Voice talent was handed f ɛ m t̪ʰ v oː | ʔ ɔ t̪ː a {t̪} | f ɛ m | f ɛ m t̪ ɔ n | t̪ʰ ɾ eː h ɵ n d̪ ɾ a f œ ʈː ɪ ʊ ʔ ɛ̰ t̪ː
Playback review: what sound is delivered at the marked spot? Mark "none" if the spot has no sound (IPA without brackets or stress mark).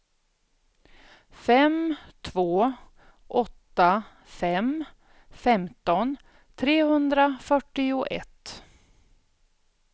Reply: none